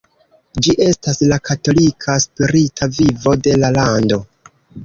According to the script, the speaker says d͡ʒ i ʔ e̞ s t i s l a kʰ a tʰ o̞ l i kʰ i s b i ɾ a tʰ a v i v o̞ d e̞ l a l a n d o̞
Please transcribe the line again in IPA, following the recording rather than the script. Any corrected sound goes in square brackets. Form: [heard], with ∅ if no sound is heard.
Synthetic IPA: d͡ʒ i ʔ e̞ s t [a] s l a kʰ a [t] o̞ l i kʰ [a] s [p] i ɾ [i] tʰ a v i v o̞ d e̞ l a l a n d o̞